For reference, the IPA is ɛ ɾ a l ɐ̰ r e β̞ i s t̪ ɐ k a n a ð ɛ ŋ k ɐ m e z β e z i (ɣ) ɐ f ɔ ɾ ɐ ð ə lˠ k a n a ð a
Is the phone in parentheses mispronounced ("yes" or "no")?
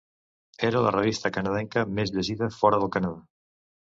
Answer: yes